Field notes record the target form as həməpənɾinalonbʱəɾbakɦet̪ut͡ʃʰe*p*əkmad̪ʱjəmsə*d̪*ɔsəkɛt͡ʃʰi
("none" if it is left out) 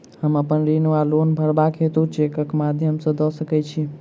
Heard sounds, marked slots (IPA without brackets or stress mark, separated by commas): k, d̪